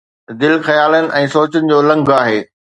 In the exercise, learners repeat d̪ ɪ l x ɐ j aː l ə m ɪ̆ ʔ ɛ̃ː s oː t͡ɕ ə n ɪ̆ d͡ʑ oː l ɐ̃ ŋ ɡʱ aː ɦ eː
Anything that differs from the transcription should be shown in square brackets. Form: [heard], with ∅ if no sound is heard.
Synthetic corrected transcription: d̪ ɪ l x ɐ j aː l ə [n] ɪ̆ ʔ ɛ̃ː s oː t͡ɕ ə n ɪ̆ d͡ʑ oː l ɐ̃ ŋ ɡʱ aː ɦ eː

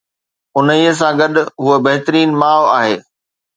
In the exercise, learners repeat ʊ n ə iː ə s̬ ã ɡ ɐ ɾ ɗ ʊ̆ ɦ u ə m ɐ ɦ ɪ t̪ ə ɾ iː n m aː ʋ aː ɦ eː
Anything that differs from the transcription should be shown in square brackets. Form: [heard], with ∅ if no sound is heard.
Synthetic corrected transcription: ʊ n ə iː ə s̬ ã ɡ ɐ [∅] ɗ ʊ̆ ɦ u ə [b] ɐ ɦ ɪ t̪ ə ɾ iː n m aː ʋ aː ɦ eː

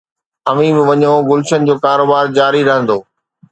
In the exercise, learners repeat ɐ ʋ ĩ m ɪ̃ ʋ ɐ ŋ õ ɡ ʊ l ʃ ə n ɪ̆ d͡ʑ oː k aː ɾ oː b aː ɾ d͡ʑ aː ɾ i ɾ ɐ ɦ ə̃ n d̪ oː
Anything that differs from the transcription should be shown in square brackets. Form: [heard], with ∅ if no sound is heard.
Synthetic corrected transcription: ɐ ʋ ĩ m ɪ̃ ʋ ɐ [ɲ] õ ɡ ʊ l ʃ ə n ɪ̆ d͡ʑ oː k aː ɾ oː b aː ɾ d͡ʑ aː ɾ i ɾ ɐ ɦ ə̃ n d̪ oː

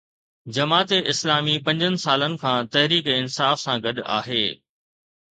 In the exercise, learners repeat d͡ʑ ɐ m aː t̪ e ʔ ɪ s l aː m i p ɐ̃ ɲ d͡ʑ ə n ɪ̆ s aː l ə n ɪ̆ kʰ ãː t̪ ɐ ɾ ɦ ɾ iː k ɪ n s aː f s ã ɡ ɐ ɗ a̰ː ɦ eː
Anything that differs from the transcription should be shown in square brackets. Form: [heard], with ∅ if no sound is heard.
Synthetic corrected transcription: d͡ʑ ɐ m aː t̪ e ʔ ɪ s l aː m i p ɐ̃ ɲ d͡ʑ ə n ɪ̆ s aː l ə n ɪ̆ kʰ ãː t̪ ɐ [∅] ɦ ɾ iː k ɪ n s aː f s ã ɡ ɐ ɗ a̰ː ɦ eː

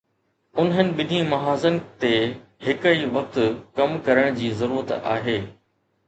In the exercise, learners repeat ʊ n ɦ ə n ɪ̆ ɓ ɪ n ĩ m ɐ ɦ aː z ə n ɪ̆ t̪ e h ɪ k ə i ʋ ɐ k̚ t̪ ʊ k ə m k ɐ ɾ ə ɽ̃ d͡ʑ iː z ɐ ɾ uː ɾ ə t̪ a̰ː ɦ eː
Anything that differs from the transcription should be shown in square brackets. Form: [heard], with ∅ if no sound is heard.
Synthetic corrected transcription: ʊ n ɦ ə n ɪ̆ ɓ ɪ n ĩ m ɐ ɦ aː z ə n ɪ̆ t̪ e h ɪ k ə i ʋ ɐ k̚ t̪ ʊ k [ɐ] m k ɐ ɾ ə ɽ̃ d͡ʑ iː z ɐ ɾ uː ɾ ə t̪ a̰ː ɦ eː

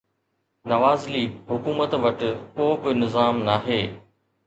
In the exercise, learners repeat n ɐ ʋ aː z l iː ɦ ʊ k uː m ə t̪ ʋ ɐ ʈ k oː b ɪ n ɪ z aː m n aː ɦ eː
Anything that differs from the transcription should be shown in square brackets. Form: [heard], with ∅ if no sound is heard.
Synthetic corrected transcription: n ɐ ʋ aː z l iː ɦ ʊ k uː m ə t̪ ʋ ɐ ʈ k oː b ɪ n ɪ z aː m n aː ɦ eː

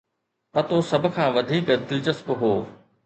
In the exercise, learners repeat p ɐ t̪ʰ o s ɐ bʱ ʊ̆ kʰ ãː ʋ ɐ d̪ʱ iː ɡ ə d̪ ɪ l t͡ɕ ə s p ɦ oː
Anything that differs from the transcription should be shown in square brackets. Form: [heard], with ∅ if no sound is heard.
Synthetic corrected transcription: p ɐ [t̪] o s ɐ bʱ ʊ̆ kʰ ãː ʋ ɐ d̪ʱ iː [k] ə d̪ ɪ l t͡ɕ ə s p ɦ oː

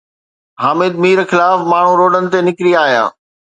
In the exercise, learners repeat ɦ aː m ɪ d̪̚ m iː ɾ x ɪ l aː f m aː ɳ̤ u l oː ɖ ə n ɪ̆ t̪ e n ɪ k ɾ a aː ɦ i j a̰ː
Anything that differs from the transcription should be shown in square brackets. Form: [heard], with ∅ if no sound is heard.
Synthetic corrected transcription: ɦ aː m ɪ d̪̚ m iː ɾ x ɪ l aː f m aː ɳ̤ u [ɾ] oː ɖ ə n ɪ̆ t̪ e n ɪ k ɾ [i] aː ɦ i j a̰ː

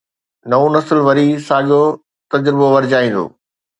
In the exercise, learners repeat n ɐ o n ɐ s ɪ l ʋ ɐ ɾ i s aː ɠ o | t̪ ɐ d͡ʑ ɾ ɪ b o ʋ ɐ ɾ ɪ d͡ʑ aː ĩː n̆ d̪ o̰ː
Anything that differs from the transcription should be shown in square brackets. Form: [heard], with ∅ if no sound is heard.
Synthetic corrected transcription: n ɐ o n ɐ s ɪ l ʋ ɐ ɾ i s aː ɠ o | t̪ ɐ d͡ʑ ɾ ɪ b o ʋ ɐ ɾ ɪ d͡ʑ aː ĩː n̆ d̪ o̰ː

